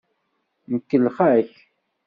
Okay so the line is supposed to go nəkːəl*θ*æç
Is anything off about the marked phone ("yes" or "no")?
yes